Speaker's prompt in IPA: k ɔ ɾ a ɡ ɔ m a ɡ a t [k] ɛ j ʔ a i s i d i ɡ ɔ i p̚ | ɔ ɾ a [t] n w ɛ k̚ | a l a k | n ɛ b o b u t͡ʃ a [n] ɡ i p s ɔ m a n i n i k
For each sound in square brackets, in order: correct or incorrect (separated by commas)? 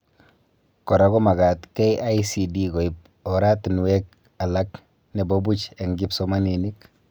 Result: correct, correct, incorrect